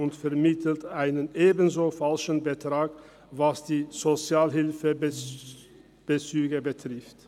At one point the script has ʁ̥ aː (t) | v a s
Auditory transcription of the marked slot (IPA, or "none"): k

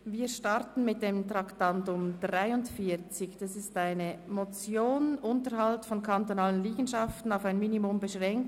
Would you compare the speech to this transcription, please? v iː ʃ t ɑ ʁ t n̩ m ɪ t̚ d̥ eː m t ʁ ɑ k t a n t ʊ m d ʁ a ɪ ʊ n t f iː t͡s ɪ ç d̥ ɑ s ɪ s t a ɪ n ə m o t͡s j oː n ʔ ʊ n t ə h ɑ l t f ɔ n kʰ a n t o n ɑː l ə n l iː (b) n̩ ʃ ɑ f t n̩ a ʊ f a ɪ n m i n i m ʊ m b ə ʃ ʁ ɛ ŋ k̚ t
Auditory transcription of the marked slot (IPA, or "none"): ɡ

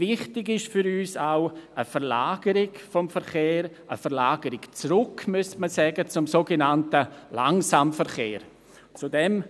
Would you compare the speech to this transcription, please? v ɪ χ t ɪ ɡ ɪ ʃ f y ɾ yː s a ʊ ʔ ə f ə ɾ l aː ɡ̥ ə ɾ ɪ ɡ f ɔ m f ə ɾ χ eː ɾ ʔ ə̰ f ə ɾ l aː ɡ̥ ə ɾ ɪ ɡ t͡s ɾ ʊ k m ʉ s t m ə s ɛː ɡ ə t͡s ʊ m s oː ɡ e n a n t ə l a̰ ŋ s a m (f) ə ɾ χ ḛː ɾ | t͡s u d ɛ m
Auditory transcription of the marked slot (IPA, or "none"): f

